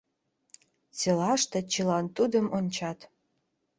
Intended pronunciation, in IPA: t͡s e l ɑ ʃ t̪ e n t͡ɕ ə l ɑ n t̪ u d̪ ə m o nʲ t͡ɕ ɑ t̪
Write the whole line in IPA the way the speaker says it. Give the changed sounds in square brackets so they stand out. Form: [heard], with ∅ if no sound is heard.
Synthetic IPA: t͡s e l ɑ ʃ t̪ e [∅] t͡ɕ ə l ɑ n t̪ u d̪ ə m o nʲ t͡ɕ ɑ t̪